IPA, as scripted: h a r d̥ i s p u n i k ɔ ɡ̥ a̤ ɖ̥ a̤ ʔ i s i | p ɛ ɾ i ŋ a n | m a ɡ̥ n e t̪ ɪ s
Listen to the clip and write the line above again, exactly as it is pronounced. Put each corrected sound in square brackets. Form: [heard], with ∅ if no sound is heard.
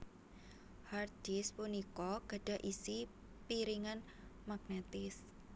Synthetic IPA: h a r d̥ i s p u n i k ɔ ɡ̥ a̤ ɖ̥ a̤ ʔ i s i | p [i] ɾ i ŋ a n | m a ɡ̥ n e t̪ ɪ s